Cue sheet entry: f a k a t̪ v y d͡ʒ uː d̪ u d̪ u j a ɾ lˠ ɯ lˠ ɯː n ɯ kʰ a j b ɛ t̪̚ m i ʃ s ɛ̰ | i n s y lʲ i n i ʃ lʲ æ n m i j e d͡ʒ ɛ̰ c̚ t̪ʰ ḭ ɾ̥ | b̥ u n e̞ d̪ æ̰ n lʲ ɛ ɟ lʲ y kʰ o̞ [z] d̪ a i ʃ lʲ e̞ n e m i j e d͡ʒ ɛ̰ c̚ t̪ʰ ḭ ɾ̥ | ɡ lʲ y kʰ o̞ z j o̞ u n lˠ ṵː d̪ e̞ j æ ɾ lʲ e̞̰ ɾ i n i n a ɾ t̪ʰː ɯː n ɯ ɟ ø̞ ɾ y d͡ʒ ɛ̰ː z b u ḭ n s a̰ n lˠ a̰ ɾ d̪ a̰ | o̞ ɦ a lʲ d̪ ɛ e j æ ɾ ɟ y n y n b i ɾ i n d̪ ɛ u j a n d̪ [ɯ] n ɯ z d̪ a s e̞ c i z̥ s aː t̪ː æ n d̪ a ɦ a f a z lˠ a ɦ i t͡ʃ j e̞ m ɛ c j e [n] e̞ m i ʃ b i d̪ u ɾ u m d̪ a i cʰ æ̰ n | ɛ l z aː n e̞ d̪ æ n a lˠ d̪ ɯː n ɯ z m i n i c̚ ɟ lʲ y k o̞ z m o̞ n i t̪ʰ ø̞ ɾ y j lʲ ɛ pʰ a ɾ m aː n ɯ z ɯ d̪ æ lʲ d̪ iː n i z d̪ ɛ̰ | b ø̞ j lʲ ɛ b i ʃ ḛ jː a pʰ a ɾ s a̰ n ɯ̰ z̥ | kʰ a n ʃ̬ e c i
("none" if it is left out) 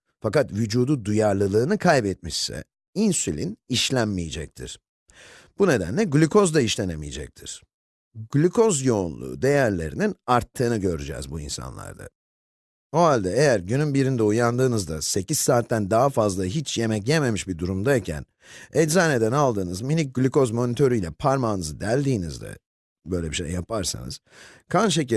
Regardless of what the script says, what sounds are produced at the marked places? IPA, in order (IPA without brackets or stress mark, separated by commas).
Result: z, ɯː, m